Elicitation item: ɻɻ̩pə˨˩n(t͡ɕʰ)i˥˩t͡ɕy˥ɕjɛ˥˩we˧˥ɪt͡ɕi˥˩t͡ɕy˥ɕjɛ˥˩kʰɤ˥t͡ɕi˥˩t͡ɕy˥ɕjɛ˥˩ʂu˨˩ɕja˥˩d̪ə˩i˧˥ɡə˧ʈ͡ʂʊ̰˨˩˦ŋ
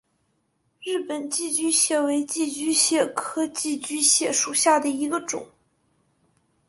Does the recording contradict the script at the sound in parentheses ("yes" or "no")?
yes